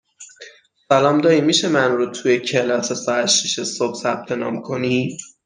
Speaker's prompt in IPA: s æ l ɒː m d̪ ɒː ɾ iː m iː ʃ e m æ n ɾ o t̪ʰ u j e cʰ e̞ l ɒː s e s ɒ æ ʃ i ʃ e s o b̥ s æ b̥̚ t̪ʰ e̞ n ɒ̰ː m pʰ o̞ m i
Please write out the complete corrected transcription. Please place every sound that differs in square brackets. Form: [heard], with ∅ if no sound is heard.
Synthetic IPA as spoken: s æ l ɒː m d̪ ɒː ɾ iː m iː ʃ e m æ n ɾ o t̪ʰ u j e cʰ e̞ l ɒː s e s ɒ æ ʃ i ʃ e s o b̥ s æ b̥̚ t̪ʰ e̞ n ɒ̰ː m [kʰ] o̞ [n] i